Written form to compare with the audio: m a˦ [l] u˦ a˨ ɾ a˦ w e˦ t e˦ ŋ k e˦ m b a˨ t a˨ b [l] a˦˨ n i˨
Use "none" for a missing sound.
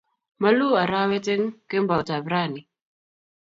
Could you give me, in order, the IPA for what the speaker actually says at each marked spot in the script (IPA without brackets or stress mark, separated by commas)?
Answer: l, ɾ